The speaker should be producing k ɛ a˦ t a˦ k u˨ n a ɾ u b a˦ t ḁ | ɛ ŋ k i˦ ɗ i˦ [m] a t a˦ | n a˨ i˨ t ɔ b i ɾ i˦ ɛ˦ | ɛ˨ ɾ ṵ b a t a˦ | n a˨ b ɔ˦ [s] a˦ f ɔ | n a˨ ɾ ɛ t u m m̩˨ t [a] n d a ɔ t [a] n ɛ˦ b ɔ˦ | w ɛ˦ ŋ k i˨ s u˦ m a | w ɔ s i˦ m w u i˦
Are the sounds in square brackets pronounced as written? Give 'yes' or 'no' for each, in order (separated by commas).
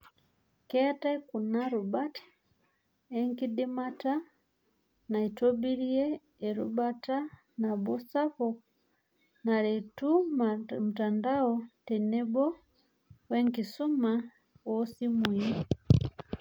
yes, yes, yes, no